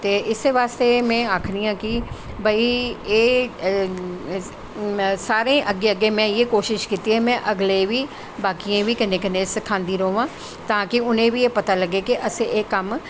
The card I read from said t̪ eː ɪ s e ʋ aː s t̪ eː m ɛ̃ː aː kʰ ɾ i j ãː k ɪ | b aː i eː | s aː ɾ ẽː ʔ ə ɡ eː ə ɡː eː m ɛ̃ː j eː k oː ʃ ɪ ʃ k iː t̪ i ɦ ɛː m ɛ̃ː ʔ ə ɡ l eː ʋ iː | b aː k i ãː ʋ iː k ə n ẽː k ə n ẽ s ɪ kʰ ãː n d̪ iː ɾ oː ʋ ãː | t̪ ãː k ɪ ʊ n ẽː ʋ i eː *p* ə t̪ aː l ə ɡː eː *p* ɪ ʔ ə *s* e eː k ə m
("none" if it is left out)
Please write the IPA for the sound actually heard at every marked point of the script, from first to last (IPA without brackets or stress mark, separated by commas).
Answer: p, k, s